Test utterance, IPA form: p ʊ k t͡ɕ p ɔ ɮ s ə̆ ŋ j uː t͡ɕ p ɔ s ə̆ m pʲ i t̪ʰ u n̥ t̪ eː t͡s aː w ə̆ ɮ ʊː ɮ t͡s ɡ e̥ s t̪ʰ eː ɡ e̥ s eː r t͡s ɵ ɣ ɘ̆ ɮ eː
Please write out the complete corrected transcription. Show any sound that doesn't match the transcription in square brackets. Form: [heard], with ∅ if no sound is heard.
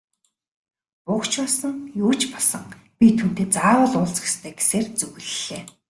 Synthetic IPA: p ʊ k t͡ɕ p ɔ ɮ s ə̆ ŋ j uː t͡ɕ p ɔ s ə̆ [ŋ] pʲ i t̪ʰ u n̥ t̪ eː t͡s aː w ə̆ ɮ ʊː ɮ t͡s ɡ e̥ s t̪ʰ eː ɡ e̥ s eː r t͡s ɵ ɣ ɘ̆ ɮ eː